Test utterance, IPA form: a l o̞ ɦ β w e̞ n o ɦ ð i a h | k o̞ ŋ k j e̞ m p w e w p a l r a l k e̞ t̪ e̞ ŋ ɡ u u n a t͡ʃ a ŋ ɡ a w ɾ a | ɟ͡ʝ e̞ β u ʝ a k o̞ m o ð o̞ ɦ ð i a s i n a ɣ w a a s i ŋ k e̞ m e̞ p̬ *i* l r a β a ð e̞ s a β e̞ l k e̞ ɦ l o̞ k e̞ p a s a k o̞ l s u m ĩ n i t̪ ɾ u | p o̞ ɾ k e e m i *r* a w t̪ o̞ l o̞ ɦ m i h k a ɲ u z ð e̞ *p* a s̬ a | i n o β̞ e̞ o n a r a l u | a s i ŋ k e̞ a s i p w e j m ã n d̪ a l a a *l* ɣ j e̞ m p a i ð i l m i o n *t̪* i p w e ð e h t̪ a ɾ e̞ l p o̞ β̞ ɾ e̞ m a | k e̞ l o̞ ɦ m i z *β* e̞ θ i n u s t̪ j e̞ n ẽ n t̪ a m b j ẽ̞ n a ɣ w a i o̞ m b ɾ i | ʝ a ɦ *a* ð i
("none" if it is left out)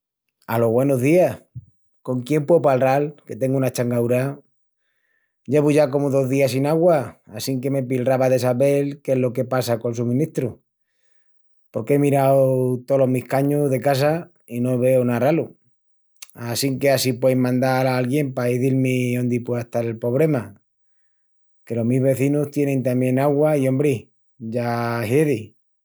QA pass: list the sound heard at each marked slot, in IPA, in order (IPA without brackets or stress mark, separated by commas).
i, ɾ, k, l, d̪, β, e